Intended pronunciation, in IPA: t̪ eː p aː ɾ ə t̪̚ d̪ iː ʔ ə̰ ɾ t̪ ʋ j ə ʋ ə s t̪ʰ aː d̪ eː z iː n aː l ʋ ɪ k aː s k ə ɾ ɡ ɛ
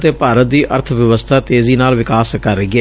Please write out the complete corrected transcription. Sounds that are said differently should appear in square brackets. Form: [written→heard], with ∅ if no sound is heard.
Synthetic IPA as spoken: t̪ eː p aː ɾ ə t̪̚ d̪ iː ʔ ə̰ ɾ [t̪→t̪ʰ] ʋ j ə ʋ ə s t̪ʰ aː [d̪→t̪] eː z iː n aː l ʋ ɪ k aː s k ə ɾ ɡ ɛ